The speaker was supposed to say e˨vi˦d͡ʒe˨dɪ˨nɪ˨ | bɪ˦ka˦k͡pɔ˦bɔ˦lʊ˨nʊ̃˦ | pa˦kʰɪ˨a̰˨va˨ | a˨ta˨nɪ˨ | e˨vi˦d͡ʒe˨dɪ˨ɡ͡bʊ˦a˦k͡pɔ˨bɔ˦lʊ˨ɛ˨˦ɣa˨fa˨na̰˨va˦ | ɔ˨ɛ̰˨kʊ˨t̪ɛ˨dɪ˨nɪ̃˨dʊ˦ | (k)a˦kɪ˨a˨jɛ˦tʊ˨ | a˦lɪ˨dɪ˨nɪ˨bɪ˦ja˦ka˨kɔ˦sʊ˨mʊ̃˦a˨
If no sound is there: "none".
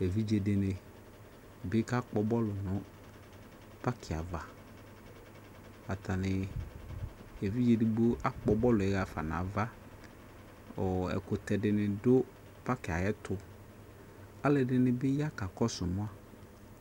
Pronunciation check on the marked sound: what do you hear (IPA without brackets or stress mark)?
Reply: p